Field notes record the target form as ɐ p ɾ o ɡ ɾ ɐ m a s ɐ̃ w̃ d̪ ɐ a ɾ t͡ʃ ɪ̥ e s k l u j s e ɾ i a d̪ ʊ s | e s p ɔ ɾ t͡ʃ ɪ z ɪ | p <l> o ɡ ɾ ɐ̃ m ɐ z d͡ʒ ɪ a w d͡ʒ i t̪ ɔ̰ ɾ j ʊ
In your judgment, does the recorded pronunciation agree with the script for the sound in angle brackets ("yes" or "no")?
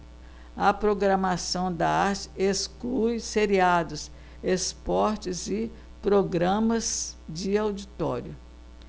no